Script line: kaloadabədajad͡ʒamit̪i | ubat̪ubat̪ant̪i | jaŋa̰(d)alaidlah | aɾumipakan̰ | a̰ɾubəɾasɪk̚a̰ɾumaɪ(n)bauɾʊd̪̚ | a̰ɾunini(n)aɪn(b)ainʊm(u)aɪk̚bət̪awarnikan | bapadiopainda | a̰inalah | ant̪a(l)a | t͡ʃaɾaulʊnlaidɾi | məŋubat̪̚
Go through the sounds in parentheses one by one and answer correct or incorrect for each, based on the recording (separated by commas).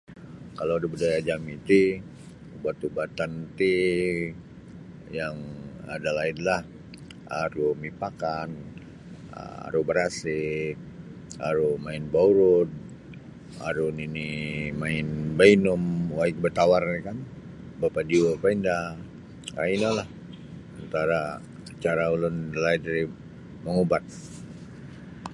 correct, correct, incorrect, correct, incorrect, incorrect